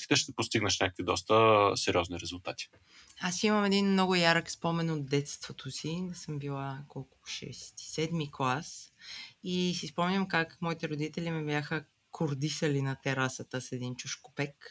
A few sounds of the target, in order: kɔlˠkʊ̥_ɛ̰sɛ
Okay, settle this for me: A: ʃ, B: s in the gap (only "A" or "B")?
A